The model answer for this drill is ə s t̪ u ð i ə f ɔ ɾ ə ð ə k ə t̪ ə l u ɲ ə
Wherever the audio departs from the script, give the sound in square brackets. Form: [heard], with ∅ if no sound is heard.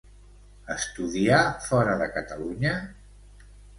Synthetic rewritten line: ə s t̪ u ð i [a] f ɔ ɾ ə ð ə k ə t̪ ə l u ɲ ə